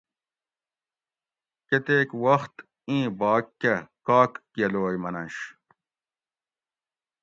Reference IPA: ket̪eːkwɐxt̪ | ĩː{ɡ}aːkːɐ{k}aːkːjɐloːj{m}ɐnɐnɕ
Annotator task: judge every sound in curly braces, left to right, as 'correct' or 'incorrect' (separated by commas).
incorrect, correct, correct